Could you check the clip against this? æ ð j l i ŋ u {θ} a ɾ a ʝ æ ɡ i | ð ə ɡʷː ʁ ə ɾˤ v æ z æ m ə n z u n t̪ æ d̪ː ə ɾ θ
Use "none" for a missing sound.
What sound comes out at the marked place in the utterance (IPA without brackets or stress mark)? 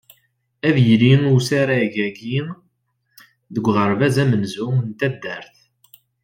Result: s